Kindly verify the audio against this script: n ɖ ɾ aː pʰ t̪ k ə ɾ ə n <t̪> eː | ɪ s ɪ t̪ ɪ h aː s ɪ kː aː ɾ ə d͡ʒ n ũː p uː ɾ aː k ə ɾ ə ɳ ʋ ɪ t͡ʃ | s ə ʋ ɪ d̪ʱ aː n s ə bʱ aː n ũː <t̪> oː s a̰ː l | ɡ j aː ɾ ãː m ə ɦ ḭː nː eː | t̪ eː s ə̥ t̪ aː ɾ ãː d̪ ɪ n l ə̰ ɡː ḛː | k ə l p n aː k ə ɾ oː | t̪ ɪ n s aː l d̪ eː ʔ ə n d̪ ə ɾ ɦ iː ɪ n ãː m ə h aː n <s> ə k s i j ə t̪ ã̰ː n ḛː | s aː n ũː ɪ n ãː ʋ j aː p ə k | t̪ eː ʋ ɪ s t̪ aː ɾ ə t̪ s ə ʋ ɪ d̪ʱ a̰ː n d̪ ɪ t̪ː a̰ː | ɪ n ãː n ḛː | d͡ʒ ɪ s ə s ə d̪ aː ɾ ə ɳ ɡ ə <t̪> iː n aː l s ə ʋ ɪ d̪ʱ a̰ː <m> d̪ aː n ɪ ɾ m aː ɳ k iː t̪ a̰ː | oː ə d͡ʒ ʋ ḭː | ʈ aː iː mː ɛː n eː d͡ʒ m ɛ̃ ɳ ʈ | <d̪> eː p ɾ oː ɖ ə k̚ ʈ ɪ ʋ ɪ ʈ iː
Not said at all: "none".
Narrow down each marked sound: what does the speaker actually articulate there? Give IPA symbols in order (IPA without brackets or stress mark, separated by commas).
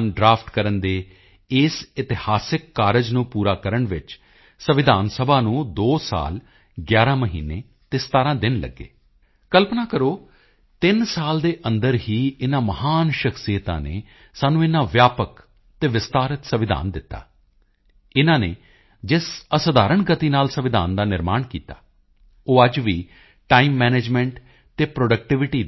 d̪, d̪, ʃ, t̪, n, t̪